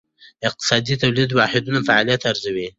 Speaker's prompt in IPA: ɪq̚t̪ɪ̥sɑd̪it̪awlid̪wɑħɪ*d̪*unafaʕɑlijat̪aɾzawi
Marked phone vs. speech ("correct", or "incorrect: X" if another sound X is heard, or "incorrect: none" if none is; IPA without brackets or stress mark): correct